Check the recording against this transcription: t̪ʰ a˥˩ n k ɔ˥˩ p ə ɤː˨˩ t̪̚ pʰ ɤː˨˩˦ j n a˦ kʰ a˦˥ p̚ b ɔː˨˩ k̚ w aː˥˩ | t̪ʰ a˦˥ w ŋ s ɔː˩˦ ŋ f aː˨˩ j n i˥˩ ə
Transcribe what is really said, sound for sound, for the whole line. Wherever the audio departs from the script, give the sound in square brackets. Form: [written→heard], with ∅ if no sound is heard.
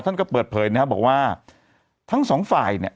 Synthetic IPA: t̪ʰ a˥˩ n k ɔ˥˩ p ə ɤː˨˩ t̪̚ pʰ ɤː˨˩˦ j n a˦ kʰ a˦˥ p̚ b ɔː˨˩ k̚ w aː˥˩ | t̪ʰ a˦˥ [w→∅] ŋ s ɔː˩˦ ŋ f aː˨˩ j n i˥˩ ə